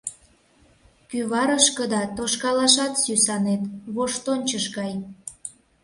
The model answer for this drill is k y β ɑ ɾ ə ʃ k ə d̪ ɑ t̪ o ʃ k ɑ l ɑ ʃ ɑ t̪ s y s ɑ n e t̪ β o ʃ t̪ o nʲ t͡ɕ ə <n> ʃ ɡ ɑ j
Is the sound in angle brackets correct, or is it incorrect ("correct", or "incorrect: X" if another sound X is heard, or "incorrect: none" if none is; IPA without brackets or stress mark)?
incorrect: none